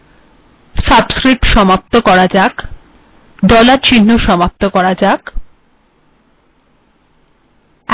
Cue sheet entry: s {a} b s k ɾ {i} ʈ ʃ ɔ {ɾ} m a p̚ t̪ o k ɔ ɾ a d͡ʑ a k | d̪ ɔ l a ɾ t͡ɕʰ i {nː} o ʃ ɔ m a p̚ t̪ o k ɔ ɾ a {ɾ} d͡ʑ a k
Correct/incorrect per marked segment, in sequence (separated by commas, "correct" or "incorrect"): correct, correct, incorrect, correct, incorrect